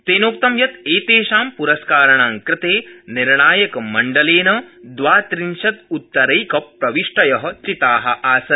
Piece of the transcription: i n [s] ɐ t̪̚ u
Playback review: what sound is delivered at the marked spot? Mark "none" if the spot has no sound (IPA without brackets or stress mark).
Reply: ʃ